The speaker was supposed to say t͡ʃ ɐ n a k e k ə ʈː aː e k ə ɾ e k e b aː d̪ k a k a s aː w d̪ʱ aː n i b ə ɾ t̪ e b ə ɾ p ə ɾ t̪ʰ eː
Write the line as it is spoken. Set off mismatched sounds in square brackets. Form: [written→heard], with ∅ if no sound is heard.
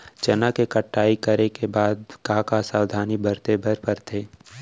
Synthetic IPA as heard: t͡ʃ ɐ n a k e k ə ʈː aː [e→i] k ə ɾ e k e b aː d̪ k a k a s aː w d̪ʱ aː n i b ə ɾ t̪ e b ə ɾ p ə ɾ t̪ʰ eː